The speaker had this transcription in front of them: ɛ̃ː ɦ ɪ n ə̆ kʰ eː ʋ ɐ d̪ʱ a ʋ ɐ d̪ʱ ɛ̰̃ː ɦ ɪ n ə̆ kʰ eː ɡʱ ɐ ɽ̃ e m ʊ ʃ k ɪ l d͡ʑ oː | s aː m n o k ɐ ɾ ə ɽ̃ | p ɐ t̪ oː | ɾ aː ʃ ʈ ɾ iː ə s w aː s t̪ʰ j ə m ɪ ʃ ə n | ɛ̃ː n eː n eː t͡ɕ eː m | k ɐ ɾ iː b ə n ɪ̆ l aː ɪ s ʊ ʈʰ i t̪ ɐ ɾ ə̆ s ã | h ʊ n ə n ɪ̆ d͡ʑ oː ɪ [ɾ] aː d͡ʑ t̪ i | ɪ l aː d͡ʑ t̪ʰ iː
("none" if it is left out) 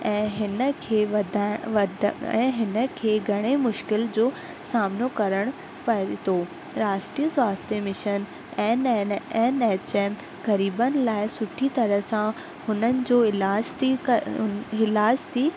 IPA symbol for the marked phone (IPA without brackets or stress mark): l